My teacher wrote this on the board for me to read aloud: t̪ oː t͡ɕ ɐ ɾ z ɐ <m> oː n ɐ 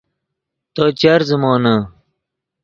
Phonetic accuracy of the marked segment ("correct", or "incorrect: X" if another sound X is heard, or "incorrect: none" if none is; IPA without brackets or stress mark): correct